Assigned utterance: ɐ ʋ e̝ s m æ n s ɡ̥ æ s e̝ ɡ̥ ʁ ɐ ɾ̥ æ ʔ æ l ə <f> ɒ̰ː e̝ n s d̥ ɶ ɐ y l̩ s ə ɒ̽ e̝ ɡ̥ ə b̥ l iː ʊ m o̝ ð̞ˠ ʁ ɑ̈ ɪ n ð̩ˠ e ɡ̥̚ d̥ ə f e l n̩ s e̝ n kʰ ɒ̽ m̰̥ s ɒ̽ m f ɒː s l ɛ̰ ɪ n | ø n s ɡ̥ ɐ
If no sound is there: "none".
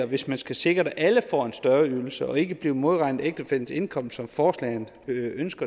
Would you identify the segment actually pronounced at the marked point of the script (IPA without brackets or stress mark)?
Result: f